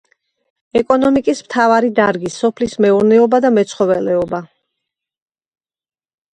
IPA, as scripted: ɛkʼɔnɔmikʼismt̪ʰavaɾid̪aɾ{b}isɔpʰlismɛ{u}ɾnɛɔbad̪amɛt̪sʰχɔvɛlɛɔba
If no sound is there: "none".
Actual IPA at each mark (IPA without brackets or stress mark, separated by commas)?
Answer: ɡ, u